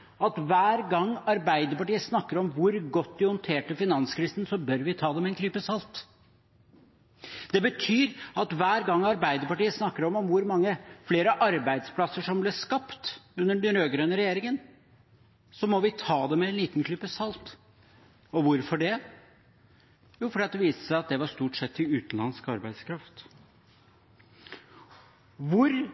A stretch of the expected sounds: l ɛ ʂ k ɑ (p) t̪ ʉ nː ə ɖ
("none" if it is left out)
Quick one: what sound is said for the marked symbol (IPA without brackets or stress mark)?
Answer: p